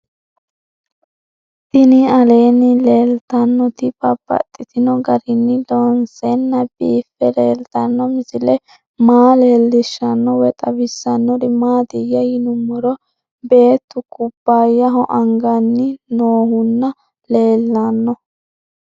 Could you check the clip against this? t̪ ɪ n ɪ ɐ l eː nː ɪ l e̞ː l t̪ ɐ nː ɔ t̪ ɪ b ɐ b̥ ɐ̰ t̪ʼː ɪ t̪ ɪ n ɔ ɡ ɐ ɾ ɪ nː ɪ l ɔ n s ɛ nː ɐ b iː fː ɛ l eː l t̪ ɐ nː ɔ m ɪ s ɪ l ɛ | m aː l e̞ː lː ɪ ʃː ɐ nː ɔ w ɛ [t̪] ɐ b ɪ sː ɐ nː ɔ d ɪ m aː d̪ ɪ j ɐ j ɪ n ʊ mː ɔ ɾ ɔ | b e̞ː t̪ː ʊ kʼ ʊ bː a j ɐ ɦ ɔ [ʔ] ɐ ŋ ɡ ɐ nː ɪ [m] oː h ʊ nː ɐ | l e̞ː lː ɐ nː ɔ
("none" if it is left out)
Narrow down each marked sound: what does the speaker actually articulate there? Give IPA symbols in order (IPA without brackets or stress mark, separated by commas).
t̪ʼ, ʔ, n